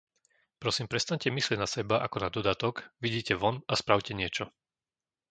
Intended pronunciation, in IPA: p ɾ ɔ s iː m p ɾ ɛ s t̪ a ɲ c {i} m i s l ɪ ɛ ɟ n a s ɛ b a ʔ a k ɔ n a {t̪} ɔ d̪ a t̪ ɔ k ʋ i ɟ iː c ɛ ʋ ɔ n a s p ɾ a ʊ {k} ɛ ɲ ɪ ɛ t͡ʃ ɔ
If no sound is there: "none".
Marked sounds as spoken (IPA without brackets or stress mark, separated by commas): ɛ, d̪, c